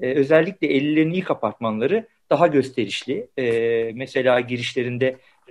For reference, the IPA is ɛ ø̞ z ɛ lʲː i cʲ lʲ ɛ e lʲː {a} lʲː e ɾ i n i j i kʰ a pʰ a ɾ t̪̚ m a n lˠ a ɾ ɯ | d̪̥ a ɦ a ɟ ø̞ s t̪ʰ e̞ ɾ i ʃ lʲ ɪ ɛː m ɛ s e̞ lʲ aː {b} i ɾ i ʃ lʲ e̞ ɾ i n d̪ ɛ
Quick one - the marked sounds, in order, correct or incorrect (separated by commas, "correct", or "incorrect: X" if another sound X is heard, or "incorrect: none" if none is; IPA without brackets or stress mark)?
incorrect: i, incorrect: ɟ